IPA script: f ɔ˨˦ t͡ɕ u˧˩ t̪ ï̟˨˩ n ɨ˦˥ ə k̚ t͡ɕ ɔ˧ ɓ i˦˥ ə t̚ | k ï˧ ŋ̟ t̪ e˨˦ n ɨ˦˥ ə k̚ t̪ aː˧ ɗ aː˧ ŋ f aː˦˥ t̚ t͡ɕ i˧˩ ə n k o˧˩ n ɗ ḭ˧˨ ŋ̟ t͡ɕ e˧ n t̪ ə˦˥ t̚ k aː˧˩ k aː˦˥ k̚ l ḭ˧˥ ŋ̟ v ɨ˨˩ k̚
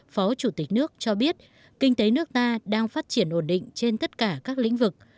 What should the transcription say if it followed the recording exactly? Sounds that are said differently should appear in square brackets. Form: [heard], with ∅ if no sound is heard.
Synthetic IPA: f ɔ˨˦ t͡ɕ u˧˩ t̪ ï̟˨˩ n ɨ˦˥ ə k̚ t͡ɕ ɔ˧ ɓ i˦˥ ə t̚ | k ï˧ ŋ̟ t̪ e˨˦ n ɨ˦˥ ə k̚ t̪ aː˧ ɗ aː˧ ŋ f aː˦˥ t̚ t͡ɕ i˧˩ ə n [ʔ] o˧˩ n ɗ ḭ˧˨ ŋ̟ t͡ɕ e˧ n t̪ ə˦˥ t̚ k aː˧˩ k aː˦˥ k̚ l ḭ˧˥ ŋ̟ v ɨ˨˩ k̚